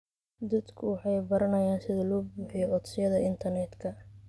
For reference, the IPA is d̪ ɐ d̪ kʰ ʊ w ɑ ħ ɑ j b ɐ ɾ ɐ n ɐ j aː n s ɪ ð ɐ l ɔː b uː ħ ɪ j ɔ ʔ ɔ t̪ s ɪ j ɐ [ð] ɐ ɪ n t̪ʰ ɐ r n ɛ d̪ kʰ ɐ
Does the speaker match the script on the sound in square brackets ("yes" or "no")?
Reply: yes